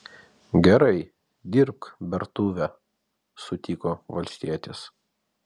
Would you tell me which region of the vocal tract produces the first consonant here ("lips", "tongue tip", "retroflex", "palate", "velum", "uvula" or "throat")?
velum